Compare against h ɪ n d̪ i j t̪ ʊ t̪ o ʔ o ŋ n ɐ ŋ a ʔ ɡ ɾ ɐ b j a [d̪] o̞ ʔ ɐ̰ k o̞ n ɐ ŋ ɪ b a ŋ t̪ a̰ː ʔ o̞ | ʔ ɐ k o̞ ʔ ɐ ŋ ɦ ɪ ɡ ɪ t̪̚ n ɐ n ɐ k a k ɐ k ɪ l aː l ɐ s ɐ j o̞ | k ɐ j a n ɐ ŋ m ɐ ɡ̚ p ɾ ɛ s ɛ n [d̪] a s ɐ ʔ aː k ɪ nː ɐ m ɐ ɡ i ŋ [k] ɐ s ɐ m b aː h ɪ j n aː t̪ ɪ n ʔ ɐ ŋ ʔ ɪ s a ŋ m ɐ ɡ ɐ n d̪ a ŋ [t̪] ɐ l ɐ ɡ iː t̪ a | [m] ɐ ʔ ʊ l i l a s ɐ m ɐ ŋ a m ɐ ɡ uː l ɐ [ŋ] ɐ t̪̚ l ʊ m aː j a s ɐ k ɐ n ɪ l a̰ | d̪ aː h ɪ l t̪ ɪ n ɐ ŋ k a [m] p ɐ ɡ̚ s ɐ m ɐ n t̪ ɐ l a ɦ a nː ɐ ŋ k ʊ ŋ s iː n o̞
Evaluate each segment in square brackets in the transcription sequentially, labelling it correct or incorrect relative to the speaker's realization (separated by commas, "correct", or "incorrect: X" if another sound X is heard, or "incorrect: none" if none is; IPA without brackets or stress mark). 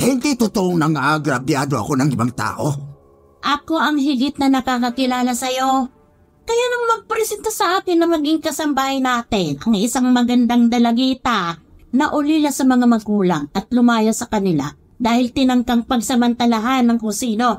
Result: correct, incorrect: t̪, correct, incorrect: d̪, incorrect: n, correct, incorrect: ŋ